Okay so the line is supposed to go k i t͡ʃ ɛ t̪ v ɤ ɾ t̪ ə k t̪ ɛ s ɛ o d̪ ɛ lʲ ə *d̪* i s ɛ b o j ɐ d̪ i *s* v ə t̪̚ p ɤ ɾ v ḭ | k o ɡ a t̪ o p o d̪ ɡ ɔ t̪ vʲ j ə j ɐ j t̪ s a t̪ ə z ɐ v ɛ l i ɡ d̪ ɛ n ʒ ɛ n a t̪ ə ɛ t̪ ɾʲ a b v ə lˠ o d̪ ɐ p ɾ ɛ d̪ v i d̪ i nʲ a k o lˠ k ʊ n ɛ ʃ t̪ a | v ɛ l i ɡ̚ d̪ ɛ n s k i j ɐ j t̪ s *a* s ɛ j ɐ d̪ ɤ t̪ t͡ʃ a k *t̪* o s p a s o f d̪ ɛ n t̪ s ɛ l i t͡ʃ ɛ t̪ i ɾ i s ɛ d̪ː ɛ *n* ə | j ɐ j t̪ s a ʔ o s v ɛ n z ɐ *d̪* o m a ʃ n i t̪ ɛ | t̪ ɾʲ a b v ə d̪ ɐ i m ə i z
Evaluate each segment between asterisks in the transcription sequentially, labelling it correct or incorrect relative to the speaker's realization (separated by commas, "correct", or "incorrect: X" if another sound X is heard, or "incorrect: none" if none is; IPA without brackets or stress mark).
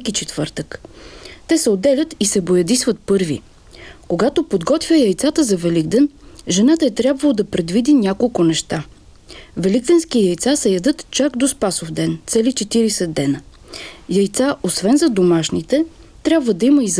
incorrect: t̪, correct, correct, incorrect: d̪, correct, correct